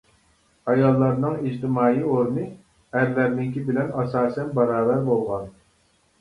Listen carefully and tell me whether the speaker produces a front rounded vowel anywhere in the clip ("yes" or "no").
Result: no